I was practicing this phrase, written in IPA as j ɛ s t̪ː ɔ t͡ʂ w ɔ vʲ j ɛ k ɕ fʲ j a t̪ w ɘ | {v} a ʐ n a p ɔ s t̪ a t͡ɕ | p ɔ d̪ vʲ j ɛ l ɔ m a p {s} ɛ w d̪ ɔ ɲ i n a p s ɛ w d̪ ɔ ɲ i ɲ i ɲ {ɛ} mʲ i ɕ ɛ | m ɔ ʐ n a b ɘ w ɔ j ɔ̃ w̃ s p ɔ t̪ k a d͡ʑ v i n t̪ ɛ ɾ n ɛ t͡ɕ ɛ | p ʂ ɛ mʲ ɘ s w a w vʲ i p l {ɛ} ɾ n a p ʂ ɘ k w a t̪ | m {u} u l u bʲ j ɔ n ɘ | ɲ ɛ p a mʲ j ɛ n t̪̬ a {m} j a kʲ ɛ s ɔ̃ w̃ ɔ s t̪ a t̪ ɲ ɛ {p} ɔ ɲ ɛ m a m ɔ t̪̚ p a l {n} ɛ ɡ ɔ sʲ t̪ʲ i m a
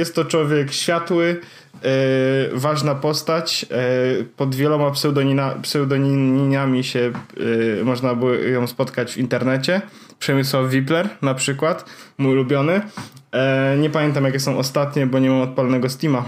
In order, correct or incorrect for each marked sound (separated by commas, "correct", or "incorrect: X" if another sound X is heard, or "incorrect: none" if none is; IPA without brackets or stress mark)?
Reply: correct, correct, incorrect: a, correct, correct, correct, incorrect: b, correct